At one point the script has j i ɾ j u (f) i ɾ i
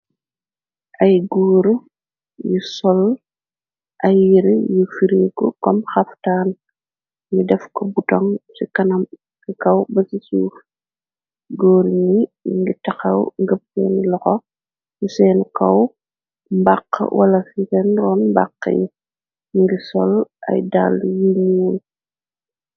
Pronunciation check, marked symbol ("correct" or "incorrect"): correct